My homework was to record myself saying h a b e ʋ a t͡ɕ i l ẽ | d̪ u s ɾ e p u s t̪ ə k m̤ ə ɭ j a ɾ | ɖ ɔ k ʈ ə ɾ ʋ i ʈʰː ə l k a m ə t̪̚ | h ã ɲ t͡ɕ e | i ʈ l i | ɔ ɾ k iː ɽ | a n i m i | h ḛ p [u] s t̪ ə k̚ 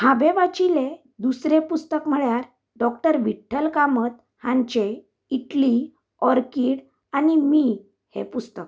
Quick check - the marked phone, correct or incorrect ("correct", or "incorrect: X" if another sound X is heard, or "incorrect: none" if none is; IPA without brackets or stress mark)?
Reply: correct